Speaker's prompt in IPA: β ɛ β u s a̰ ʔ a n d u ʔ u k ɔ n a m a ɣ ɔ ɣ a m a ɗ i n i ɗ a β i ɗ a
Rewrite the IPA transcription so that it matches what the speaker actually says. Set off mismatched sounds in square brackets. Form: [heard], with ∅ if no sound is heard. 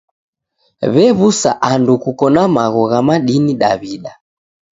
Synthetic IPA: β ɛ β u s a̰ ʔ a n d u [k] u k ɔ n a m a ɣ ɔ ɣ a m a ɗ i n i ɗ a β i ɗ a